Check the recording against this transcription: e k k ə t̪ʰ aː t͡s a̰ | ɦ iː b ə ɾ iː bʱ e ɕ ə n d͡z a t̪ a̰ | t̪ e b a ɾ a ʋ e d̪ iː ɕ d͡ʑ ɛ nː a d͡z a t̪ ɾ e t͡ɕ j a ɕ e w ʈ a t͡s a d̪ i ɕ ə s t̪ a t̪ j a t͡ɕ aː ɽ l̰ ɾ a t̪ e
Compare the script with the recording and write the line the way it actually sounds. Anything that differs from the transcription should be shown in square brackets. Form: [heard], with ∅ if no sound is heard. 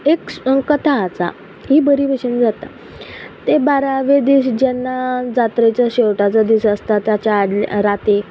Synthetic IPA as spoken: e k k ə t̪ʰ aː t͡s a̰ | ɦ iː b ə ɾ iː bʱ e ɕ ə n d͡z a t̪ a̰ | t̪ e b a ɾ a ʋ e d̪ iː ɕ d͡ʑ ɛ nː a d͡z a t̪ ɾ e t͡ɕ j a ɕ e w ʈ a t͡s a d̪ i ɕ ə s t̪ a t̪ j a t͡ɕ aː ɽ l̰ ɾ a t̪ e